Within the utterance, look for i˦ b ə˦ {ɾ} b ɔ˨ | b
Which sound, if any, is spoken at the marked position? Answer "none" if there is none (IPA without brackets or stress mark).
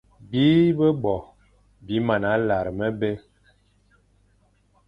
none